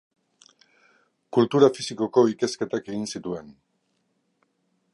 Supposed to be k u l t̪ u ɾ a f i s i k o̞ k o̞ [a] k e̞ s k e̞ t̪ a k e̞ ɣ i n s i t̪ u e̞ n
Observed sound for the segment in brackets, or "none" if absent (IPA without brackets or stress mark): i